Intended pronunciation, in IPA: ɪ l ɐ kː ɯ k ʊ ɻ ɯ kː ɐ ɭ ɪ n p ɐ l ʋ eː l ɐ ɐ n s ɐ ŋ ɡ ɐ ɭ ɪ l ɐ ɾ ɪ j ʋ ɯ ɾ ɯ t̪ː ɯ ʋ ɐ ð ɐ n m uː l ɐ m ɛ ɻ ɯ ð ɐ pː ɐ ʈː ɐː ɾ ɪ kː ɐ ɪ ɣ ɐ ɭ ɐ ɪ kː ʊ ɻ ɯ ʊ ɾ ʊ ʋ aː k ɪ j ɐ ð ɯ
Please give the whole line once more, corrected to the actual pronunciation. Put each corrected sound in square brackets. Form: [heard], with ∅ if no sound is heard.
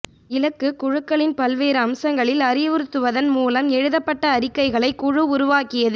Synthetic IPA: ɪ l ɐ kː ɯ k ʊ ɻ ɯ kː ɐ ɭ ɪ n p ɐ l ʋ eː [ɾ] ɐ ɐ [m] s ɐ ŋ ɡ ɐ ɭ ɪ l ɐ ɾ ɪ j ʋ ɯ ɾ ɯ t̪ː ɯ ʋ ɐ ð ɐ n m uː l ɐ m ɛ ɻ ɯ ð ɐ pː ɐ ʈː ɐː ɾ ɪ kː ɐ ɪ ɣ ɐ ɭ ɐ ɪ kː ʊ ɻ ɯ ʊ ɾ ʊ ʋ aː k ɪ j ɐ ð ɯ